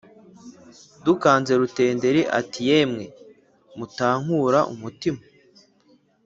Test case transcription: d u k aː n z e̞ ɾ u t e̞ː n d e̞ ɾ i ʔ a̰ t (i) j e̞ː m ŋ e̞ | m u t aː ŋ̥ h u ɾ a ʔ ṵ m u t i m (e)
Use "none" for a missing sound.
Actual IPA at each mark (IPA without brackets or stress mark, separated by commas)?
i, a